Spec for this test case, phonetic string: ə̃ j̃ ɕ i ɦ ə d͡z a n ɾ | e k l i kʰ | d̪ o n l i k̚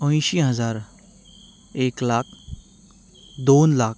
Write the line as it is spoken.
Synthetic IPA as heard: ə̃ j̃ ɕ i ɦ ə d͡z a ɾ | e k l a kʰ | d̪ o n l a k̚